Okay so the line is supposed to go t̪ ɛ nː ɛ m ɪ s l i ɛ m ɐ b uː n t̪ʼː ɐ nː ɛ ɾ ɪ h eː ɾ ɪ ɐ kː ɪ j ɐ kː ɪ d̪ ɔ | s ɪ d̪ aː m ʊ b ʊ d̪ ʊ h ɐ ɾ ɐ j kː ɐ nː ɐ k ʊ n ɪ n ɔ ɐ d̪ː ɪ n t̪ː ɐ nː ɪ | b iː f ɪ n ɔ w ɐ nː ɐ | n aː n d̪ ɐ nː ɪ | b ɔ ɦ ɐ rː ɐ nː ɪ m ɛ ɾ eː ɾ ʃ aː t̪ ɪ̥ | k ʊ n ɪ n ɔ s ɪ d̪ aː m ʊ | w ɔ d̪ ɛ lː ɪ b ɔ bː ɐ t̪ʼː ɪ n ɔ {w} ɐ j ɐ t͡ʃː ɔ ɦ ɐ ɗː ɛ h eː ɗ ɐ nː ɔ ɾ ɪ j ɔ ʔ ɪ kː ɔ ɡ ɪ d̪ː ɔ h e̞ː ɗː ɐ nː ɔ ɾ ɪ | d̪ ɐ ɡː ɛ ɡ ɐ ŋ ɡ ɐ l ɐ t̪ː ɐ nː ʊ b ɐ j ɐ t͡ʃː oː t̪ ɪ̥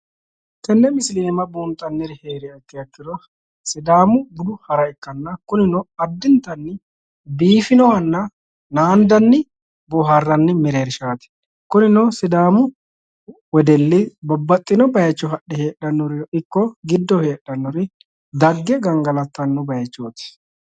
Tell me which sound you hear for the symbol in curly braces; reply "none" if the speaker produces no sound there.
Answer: b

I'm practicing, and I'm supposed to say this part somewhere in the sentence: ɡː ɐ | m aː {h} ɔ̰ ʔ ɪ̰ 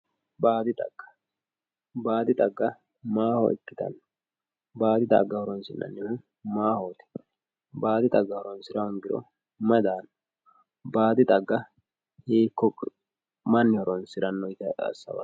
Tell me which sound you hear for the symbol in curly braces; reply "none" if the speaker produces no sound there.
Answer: h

